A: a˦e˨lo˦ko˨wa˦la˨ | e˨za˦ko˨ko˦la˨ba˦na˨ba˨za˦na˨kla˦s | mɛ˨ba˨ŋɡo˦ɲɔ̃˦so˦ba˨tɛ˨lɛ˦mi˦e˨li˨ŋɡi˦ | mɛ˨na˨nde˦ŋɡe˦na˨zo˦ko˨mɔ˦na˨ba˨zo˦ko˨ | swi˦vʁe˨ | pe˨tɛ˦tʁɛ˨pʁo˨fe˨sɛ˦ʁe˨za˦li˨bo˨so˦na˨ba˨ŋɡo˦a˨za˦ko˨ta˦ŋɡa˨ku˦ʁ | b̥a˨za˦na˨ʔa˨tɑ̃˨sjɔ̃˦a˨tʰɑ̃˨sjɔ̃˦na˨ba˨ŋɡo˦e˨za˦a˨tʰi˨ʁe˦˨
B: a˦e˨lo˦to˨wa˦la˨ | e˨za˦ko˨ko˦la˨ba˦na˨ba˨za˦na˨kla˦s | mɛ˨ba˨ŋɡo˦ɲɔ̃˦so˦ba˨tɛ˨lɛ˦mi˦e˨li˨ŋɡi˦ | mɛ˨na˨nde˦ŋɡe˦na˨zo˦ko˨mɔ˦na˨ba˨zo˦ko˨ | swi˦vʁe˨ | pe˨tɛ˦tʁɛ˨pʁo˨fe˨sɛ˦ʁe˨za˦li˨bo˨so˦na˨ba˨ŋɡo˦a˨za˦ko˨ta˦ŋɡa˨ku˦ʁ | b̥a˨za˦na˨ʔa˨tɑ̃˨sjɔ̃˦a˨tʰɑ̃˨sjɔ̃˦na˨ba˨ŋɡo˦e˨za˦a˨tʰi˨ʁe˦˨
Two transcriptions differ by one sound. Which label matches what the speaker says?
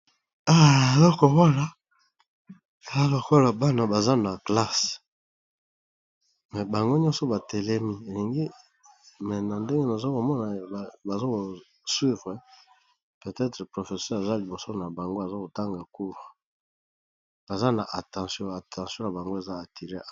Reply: A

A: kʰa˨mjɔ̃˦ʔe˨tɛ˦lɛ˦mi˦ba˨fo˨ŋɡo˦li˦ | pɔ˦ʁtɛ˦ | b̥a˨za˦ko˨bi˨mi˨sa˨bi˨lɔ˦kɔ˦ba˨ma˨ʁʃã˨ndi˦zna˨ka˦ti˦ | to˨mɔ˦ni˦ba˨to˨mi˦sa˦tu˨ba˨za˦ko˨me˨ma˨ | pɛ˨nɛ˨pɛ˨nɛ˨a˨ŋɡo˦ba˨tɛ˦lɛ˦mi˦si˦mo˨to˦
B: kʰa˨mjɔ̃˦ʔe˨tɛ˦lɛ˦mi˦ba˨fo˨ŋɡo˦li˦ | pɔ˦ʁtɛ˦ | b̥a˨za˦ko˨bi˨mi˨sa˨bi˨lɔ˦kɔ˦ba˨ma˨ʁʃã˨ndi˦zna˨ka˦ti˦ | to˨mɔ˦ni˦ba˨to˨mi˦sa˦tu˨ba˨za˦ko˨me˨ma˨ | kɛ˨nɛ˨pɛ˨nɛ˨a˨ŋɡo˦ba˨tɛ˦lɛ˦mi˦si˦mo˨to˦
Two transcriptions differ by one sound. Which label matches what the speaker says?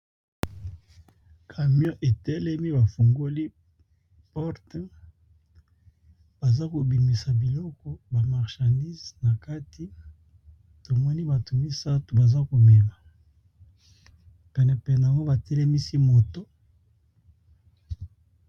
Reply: A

